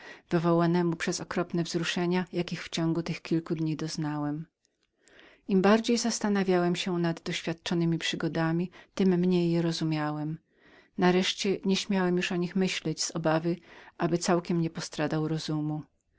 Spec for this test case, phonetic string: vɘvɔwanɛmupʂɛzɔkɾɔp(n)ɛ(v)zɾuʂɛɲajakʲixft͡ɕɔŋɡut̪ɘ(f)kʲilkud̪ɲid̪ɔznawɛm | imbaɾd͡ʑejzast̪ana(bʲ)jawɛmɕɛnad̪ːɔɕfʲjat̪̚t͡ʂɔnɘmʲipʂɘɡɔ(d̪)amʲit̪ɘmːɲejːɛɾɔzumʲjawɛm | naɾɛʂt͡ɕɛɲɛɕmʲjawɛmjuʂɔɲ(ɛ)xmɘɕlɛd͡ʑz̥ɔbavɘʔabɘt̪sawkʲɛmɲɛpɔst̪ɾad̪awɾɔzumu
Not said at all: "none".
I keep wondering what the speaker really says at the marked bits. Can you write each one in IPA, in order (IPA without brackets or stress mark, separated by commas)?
n, v, x, vʲ, d̪, i